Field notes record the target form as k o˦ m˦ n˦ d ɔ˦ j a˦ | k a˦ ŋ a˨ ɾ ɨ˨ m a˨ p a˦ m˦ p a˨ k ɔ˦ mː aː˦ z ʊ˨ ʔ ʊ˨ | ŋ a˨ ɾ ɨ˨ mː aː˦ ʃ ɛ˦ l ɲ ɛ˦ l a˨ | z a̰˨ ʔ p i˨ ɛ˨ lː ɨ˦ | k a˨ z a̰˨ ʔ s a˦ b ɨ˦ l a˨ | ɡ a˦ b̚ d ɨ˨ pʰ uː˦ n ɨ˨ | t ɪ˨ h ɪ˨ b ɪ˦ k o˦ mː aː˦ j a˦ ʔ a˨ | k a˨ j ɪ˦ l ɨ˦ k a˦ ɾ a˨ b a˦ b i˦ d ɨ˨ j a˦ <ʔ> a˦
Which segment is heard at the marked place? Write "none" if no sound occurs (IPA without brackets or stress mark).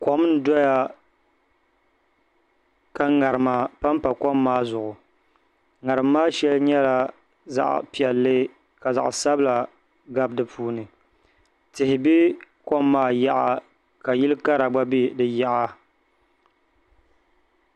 ʔ